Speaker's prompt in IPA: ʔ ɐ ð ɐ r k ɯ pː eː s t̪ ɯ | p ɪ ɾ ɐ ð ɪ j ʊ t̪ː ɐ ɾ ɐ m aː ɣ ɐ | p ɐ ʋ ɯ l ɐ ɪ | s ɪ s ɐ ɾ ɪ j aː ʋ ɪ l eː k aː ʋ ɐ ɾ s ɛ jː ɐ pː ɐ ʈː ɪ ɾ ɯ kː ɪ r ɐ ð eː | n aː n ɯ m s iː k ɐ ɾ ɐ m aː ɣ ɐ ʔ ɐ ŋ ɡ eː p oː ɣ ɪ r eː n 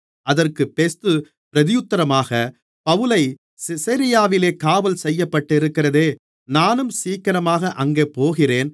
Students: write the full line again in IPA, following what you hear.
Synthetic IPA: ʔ ɐ ð ɐ r k ɯ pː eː s t̪ ɯ | p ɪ ɾ ɐ ð ɪ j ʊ t̪ː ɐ ɾ ɐ m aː ɣ ɐ | p ɐ ʋ ɯ l ɐ ɪ | s ɪ s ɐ ɾ ɪ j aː ʋ ɪ l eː k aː ʋ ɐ l s ɛ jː ɐ pː ɐ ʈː ɪ ɾ ɯ kː ɪ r ɐ ð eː | n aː n ɯ m s iː k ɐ ɾ ɐ m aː ɣ ɐ ʔ ɐ ŋ ɡ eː p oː ɣ ɪ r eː n